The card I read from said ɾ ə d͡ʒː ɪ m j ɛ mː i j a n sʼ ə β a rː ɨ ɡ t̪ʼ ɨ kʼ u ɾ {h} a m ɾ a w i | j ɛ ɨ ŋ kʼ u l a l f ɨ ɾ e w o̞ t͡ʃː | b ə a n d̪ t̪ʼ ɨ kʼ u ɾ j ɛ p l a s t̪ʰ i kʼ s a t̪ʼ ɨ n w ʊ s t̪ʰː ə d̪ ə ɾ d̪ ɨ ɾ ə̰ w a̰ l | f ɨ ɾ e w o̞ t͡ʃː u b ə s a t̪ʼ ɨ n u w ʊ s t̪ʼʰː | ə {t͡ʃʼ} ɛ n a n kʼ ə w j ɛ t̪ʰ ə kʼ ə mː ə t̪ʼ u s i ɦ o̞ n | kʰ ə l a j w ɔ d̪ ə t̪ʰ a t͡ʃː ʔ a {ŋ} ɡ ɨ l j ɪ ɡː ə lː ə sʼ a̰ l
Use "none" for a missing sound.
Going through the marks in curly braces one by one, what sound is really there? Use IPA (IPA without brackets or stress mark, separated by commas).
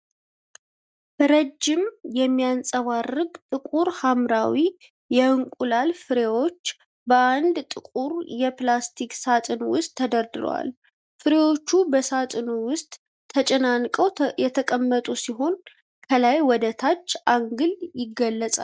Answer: h, t͡ʃʼ, ŋ